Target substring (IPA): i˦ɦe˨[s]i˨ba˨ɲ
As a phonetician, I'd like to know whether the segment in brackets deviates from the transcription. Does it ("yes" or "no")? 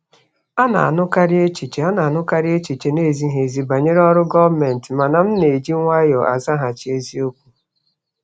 yes